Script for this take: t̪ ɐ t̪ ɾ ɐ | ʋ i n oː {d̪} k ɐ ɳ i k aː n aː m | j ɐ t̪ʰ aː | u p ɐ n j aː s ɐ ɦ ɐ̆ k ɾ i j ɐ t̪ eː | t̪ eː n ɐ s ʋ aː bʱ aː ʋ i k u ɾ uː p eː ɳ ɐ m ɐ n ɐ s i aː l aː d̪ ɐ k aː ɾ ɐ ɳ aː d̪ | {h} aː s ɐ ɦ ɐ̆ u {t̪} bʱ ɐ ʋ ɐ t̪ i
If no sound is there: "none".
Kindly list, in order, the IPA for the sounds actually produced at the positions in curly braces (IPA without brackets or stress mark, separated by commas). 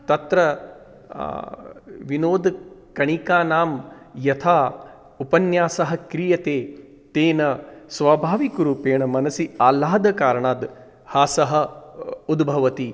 d̪, h, d̪